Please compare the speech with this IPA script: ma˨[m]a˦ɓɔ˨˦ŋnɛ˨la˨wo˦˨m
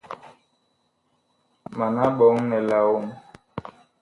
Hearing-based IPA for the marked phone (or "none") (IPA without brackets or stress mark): n